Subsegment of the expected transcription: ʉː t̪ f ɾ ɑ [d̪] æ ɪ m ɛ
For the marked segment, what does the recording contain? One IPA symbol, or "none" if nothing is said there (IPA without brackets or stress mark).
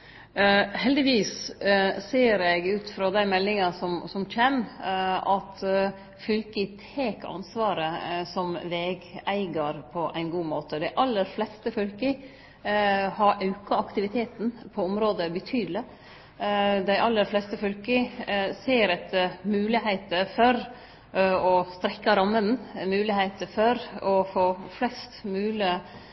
d̪